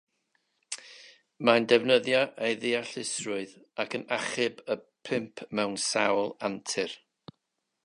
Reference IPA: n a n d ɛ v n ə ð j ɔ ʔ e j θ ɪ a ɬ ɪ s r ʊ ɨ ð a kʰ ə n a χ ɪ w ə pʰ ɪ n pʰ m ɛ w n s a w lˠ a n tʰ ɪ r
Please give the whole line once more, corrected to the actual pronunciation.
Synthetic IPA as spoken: m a n d ɛ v n ə ð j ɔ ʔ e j ð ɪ a ɬ ɪ s r ʊ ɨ ð a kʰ ə n a χ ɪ b ə pʰ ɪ m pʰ m ɛ w n s a w lˠ a n tʰ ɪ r